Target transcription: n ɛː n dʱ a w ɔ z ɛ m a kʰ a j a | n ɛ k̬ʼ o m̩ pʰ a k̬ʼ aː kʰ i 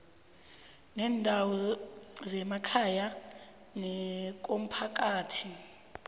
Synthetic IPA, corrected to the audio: n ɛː n dʱ a w ɔ z ɛ m a kʰ a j a | n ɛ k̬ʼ o m̩ pʰ a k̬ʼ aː tʰ i